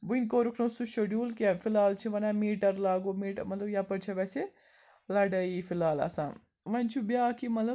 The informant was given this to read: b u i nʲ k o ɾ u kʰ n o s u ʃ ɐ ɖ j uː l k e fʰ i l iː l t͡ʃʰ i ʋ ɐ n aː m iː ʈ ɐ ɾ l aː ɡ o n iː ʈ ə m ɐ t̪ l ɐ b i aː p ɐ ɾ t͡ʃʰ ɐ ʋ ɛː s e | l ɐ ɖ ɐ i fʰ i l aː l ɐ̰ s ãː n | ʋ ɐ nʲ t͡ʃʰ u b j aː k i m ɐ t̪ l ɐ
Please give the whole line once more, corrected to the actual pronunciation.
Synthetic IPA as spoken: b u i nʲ k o ɾ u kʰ n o s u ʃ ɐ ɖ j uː l k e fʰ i l aː l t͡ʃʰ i ʋ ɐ n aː m iː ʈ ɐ ɾ l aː ɡ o m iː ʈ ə m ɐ t̪ l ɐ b j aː p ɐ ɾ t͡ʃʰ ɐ ʋ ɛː s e | l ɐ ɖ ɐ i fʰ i l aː l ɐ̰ s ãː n | ʋ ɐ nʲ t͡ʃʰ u b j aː k i m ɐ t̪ l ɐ